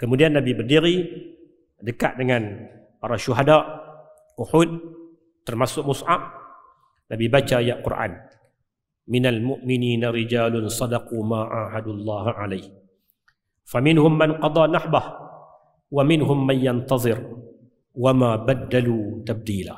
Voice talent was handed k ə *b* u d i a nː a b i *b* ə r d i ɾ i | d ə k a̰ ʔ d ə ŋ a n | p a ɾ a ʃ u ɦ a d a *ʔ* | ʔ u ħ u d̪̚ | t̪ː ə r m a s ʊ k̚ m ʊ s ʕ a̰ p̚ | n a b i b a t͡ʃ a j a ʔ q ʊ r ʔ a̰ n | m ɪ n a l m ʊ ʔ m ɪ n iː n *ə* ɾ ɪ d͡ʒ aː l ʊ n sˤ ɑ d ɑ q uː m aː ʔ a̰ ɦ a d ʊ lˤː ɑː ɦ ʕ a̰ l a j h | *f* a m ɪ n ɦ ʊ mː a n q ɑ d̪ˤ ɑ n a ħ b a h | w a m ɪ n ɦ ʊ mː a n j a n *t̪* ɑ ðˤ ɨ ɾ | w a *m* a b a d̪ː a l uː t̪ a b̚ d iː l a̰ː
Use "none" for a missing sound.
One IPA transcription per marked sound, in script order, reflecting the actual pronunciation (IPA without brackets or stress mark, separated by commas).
m, b, ʔ, a, f, t̪, m